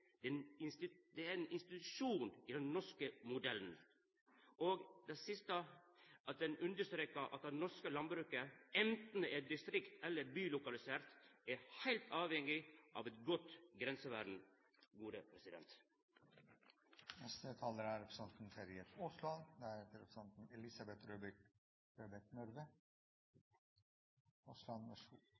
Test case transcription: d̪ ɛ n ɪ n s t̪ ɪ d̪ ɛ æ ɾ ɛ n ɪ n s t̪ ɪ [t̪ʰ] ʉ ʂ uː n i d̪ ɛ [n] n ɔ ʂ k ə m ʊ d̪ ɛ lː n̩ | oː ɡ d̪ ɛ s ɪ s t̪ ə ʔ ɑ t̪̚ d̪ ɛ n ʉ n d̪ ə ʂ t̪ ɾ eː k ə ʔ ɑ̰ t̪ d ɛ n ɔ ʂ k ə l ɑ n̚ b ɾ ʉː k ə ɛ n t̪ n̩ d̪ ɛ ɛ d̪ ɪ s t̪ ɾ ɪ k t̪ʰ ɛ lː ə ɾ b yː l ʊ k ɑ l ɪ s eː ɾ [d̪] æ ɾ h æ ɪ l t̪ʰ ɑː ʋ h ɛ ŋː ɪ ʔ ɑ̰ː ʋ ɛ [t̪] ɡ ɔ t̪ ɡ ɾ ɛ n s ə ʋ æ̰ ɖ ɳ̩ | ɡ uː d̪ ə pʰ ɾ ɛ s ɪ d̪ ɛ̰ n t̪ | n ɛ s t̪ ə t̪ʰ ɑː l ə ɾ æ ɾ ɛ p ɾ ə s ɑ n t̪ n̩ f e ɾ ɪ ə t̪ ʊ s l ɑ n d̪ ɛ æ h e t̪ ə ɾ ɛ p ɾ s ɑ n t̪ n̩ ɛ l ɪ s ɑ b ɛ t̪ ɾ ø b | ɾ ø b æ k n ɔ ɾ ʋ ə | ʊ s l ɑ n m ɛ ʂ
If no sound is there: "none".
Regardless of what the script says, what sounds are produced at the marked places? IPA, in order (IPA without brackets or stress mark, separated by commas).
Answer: t̪, n, t̪, t̪